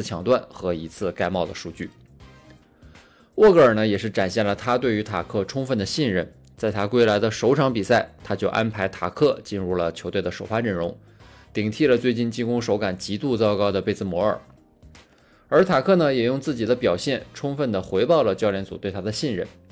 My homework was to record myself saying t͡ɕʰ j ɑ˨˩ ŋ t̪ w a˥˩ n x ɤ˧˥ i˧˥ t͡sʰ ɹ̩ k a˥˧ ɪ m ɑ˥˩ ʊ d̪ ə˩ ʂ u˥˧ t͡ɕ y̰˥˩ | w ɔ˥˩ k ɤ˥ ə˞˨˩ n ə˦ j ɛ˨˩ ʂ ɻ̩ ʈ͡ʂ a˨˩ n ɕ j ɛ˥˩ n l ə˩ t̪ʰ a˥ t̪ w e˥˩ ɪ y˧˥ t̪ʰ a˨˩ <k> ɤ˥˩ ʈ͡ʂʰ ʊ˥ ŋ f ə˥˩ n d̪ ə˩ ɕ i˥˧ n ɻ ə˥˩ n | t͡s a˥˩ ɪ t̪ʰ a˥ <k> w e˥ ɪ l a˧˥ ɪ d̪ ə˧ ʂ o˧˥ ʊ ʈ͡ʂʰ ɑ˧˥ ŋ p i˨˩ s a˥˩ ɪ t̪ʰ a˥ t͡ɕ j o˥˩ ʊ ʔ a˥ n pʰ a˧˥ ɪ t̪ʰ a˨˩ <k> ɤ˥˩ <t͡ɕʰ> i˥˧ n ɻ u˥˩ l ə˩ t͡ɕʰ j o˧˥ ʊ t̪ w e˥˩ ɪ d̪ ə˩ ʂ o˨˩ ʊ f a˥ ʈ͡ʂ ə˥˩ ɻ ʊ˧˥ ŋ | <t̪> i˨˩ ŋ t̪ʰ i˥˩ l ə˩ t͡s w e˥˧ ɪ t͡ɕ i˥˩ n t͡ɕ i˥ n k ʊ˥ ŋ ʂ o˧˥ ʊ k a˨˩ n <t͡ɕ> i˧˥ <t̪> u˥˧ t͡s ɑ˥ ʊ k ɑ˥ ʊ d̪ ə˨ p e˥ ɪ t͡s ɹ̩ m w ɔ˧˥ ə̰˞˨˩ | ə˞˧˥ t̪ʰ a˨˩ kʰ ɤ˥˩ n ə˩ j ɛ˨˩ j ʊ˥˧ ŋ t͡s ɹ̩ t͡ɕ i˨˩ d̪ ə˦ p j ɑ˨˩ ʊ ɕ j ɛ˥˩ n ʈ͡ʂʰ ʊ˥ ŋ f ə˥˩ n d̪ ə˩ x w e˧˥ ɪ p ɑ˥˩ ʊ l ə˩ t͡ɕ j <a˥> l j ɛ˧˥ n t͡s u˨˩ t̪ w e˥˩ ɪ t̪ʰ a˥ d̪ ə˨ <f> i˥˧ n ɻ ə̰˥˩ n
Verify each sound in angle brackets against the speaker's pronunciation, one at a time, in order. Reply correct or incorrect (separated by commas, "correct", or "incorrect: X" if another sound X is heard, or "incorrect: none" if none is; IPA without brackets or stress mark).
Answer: incorrect: kʰ, correct, incorrect: kʰ, incorrect: t͡ɕ, correct, correct, correct, incorrect: ɑ˥, incorrect: ɕ